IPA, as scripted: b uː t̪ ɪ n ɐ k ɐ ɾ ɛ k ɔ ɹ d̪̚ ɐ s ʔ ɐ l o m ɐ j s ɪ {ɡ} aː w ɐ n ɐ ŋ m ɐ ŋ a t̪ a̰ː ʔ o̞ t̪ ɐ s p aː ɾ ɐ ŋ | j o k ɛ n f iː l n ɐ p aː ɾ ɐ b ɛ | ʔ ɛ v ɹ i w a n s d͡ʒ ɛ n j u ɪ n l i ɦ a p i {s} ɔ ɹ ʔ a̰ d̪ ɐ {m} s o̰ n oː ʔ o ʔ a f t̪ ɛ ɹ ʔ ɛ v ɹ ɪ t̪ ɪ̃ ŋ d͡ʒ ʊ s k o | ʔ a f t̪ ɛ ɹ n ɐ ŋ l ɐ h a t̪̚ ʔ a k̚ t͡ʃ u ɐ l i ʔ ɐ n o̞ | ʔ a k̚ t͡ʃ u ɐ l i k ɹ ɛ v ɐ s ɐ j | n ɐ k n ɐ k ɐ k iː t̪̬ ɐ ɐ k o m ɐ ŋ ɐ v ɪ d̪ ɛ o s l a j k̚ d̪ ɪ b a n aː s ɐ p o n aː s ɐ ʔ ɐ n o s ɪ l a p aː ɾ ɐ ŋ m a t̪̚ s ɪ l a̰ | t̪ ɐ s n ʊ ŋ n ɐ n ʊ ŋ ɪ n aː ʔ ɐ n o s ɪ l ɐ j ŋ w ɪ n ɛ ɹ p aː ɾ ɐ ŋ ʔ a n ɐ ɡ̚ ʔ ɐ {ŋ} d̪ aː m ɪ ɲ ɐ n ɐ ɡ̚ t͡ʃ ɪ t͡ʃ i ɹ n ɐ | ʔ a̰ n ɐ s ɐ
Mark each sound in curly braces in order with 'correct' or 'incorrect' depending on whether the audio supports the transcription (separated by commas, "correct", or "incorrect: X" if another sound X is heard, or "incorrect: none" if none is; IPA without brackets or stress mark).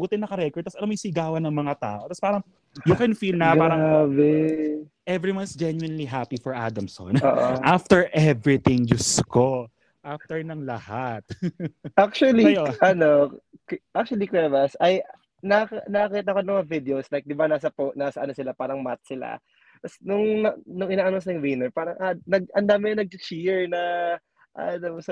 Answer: correct, incorrect: f, correct, incorrect: n